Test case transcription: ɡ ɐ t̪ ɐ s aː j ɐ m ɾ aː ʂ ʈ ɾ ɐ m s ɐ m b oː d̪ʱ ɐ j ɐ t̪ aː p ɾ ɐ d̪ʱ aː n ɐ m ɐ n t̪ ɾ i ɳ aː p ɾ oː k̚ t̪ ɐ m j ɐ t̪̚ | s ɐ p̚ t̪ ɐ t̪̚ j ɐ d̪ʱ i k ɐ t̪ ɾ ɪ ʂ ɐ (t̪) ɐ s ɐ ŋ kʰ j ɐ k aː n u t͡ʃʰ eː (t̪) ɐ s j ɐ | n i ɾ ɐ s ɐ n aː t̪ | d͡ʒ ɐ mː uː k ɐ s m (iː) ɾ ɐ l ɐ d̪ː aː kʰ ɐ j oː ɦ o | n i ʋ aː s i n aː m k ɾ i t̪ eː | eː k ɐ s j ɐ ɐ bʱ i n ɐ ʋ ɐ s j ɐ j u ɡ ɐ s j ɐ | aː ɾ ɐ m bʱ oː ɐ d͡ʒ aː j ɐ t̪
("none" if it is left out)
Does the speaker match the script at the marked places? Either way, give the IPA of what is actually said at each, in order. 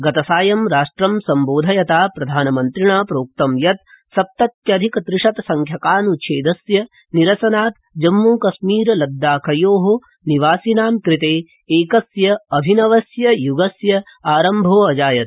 t̪, d̪, iː

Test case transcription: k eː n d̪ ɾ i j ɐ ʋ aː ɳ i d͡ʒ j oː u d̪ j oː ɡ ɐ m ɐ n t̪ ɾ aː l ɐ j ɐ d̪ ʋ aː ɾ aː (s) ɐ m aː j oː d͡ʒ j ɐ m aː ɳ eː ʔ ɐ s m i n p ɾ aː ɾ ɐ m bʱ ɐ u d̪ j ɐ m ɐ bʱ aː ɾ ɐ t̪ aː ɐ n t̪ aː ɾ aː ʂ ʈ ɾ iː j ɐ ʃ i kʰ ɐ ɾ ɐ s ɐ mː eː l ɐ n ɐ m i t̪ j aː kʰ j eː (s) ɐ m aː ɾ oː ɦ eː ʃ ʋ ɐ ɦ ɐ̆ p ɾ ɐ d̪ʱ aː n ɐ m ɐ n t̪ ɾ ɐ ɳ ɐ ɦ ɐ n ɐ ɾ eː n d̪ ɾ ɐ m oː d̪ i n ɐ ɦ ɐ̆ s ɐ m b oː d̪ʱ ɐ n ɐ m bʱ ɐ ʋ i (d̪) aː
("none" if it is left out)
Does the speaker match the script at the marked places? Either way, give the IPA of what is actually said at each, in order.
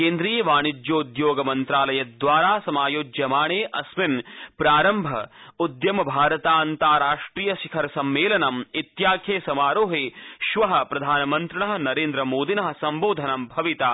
s, s, t̪

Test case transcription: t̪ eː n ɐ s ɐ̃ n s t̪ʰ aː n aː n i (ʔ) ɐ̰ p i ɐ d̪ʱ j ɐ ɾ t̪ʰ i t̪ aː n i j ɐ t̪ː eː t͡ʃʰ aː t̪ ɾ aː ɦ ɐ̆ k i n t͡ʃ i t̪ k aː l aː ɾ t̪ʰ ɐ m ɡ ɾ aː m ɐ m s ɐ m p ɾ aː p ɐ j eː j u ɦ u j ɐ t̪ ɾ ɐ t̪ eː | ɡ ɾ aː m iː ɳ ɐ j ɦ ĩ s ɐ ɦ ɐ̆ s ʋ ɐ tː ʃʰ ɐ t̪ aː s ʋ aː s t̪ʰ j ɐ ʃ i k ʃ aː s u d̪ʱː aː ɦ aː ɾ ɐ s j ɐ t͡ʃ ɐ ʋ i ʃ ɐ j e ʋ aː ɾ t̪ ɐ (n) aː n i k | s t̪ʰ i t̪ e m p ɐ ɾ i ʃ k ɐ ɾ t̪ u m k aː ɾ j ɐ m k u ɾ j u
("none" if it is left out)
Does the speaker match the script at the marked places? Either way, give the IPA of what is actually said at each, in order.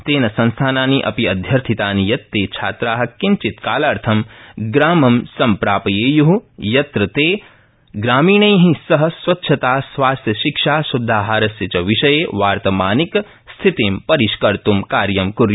ʔ, m

